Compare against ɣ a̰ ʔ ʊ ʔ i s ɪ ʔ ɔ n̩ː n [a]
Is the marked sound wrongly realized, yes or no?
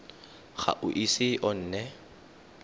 yes